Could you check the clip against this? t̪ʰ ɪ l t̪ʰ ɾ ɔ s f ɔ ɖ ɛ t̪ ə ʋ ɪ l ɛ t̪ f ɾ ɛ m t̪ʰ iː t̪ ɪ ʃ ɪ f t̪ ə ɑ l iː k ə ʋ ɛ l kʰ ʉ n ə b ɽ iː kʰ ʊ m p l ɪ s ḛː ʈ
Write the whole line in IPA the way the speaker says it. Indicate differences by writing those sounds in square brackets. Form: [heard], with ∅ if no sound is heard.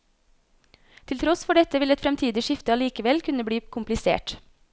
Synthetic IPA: t̪ʰ ɪ l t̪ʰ ɾ ɔ s f ɔ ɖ ɛ t̪ ə ʋ ɪ l ɛ t̪ f ɾ ɛ m t̪ʰ iː [d̪] ɪ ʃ ɪ f t̪ ə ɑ l iː k ə ʋ ɛ l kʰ ʉ n ə b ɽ iː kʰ ʊ m p l ɪ s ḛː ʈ